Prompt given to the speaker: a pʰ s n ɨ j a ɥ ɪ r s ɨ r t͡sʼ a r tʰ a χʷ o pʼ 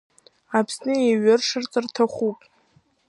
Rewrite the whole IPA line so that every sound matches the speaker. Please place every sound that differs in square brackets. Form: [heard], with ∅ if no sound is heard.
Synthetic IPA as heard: a pʰ s n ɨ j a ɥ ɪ r [ʂ] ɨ r t͡sʼ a r tʰ a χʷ [u] pʼ